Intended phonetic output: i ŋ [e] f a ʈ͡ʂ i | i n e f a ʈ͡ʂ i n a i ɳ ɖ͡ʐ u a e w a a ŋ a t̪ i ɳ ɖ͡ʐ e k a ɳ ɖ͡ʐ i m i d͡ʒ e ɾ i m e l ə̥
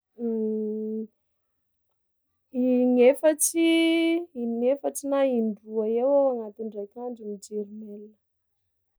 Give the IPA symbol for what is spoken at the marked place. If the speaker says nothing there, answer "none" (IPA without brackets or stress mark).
e